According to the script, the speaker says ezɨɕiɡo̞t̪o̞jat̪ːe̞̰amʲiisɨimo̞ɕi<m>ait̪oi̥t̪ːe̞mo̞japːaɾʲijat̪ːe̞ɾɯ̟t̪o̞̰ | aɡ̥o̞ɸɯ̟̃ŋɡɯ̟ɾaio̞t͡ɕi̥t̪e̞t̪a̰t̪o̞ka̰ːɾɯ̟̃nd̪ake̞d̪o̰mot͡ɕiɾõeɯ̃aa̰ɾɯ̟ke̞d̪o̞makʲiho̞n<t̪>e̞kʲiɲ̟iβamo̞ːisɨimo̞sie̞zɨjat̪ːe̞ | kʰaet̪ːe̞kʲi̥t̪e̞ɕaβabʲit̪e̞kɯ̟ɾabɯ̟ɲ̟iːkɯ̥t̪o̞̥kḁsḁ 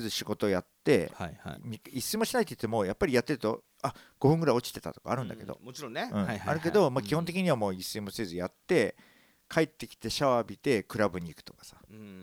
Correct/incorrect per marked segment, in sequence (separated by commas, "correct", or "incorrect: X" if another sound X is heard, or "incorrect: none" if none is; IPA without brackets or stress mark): incorrect: n, correct